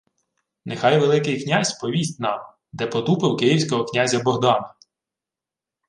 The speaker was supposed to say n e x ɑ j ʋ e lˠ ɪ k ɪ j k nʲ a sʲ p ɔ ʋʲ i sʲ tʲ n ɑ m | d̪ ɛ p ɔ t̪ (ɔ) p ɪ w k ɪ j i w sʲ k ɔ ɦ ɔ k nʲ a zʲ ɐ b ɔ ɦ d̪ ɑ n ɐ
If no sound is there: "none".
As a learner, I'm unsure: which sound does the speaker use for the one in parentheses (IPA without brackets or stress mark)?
u